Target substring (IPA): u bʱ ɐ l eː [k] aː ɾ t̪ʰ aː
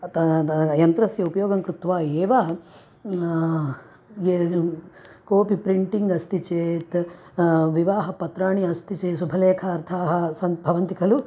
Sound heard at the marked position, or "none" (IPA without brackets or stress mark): kʰ